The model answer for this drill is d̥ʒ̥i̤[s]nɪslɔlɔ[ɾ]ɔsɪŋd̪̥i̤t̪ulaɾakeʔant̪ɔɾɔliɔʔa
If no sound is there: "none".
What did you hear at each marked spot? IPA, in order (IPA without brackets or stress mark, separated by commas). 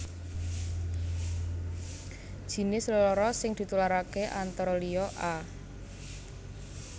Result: none, ɾ